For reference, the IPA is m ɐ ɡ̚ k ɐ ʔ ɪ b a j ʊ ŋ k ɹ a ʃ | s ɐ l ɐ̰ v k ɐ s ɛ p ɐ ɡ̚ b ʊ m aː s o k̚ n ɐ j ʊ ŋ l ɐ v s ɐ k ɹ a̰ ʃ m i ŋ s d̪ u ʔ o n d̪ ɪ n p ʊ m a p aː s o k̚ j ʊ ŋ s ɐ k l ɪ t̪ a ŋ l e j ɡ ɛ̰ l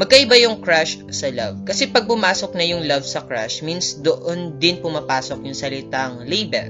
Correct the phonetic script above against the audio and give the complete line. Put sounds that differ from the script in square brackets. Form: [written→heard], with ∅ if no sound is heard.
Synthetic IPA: m ɐ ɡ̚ k ɐ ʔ ɪ b a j ʊ ŋ k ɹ a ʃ | s ɐ l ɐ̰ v k ɐ s ɛ p ɐ ɡ̚ [b→p] ʊ m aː s o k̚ n ɐ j ʊ ŋ l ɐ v s ɐ k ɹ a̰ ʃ m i [ŋ→n] s d̪ [u→o] ʔ o n d̪ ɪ n p ʊ m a p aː s o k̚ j ʊ ŋ s ɐ [k→∅] l ɪ t̪ a ŋ l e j [ɡ→b] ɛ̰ l